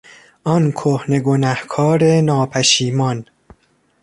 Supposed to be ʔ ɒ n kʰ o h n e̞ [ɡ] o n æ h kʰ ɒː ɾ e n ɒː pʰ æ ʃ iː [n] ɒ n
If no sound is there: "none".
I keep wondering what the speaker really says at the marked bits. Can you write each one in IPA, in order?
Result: ɡ, m

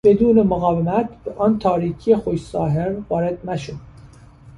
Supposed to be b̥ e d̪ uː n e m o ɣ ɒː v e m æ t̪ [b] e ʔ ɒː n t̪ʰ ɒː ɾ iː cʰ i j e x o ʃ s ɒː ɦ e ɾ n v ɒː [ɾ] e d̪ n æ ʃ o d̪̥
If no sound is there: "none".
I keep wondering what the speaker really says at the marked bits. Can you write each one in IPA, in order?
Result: b, ɾ

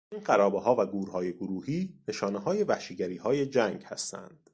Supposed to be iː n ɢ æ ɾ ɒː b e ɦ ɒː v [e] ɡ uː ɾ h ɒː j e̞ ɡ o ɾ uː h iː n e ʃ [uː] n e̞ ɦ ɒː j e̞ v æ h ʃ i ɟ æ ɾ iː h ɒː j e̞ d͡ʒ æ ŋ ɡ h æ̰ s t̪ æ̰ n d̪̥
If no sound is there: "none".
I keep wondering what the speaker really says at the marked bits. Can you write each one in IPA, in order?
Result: æ, ɒː

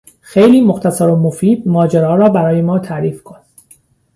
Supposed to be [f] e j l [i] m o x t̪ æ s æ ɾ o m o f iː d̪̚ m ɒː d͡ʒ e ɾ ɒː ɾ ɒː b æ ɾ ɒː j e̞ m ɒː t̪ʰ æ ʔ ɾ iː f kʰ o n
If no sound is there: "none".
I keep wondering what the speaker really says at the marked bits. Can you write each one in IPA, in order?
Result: x, iː

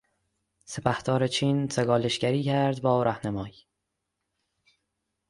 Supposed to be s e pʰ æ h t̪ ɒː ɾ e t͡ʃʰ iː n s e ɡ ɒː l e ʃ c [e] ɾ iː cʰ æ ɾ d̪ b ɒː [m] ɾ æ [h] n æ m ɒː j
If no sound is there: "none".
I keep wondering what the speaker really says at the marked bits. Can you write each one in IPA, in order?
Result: æ, none, h

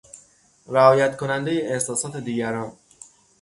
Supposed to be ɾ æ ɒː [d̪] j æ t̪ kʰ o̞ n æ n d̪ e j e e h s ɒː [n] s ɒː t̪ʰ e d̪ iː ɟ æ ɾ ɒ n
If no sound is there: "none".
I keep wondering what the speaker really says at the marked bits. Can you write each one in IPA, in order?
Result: none, none

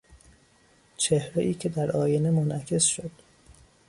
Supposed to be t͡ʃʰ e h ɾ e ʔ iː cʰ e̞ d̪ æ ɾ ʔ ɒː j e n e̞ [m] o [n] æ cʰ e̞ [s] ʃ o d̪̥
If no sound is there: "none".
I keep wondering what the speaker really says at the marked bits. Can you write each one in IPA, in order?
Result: m, n, s

